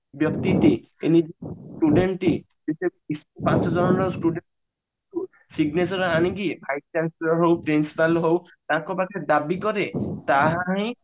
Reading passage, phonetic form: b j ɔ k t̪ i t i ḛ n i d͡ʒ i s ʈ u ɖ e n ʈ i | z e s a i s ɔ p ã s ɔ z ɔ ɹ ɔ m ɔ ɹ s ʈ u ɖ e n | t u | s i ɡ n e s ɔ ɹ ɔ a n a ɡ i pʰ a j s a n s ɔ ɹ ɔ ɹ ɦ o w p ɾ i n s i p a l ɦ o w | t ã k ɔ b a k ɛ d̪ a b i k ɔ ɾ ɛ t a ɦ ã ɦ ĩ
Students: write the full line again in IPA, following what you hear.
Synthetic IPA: b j ɔ k t̪ i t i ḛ n i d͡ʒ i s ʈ u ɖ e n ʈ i | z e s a i s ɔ p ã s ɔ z ɔ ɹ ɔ n ɔ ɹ s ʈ u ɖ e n | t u | s i ɡ n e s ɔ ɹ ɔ a n i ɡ i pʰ a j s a n s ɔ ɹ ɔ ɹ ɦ o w p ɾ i n s i p a l ɦ o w | t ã k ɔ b a k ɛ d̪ a b i k ɔ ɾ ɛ t a ɦ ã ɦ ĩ

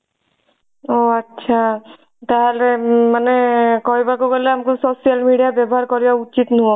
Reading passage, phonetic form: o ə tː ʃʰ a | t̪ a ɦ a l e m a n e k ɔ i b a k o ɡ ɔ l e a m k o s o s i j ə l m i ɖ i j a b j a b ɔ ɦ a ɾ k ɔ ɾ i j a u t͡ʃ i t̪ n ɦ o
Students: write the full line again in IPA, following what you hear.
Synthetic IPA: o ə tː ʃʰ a | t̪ a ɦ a l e m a n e k ɔ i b a k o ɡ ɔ l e a m k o s o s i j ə l m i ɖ i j a b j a b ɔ ɦ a ɾ k ɔ ɾ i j a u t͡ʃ i t̪ n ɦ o

